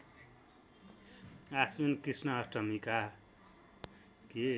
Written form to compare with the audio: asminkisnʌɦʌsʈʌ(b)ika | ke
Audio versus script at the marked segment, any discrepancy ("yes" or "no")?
yes